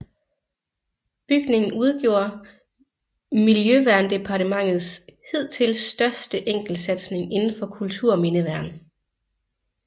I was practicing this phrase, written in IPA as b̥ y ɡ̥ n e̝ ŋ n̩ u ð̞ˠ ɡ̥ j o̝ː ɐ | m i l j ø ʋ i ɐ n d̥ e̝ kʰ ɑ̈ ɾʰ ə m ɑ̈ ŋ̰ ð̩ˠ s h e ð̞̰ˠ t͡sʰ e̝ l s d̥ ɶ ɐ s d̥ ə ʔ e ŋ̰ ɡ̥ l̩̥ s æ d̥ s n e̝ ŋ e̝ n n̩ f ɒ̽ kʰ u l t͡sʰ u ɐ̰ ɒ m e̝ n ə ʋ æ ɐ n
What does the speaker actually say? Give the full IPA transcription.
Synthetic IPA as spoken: b̥ y ɡ̥ n e̝ ŋ n̩ u ð̞ˠ ɡ̥ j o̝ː ɐ | m i l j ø ʋ æ ɐ n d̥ e̝ pʰ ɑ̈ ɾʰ ə m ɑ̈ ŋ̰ ð̩ˠ s h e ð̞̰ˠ t͡sʰ e̝ l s d̥ ɶ ɐ s d̥ ə ʔ e ŋ̰ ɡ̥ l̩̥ s æ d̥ s n e̝ ŋ e̝ n n̩ f ɒ̽ kʰ u l t͡sʰ u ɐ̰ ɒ m e̝ n ə ʋ æ ɐ n